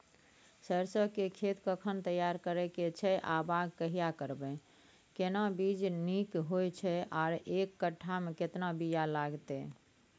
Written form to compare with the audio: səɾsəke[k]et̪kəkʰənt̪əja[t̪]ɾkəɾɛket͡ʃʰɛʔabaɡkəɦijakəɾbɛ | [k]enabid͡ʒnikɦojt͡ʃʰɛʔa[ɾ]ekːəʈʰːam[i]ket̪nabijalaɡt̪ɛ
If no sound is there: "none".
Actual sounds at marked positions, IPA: kʰ, none, k, ɾ, e

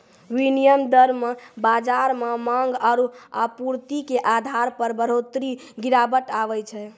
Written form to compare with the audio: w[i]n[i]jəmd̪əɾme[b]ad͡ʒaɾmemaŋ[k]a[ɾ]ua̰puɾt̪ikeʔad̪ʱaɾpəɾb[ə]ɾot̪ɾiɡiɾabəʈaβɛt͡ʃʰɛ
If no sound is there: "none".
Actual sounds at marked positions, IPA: i, i, b, ɡ, ɾ, ə

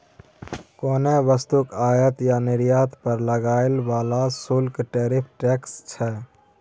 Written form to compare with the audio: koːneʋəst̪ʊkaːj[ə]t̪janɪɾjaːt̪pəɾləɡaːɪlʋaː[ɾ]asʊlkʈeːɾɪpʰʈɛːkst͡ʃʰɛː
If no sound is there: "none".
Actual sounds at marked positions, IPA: ə, l

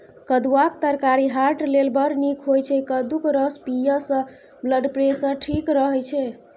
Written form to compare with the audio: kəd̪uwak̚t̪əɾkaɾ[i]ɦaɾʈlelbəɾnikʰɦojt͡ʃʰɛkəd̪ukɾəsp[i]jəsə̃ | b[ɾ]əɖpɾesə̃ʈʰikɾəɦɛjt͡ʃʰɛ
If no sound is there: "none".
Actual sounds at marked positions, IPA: i, i, l

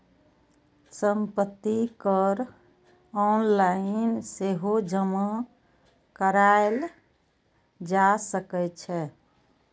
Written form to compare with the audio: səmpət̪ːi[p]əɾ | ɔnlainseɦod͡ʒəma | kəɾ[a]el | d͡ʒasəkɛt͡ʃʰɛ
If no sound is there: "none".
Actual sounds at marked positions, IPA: k, a

